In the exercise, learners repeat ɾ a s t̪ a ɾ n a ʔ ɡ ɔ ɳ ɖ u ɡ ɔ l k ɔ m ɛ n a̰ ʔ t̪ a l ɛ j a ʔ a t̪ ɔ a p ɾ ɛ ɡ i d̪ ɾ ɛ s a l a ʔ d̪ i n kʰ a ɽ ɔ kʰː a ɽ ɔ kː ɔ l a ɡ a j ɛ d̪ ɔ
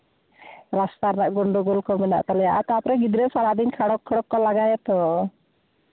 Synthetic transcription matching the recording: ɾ a s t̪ a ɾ n a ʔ ɡ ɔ ɳ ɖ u ɡ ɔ l k ɔ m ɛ n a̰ ʔ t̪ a l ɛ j a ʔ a t̪ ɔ a p ɾ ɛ ɡ i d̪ ɾ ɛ s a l a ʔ d̪ i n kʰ a ɽ ɔ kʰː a ɽ ɔ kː ɔ l a ɡ a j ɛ t̪ ɔ